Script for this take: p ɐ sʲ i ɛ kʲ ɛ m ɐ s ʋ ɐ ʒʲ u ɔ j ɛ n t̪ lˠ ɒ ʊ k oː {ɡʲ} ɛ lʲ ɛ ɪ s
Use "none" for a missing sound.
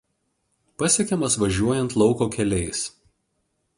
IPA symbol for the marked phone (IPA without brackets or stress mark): kʲ